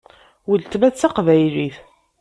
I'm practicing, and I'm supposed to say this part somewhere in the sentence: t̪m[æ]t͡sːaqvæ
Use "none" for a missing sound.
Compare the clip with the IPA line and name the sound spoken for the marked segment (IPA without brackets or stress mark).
æ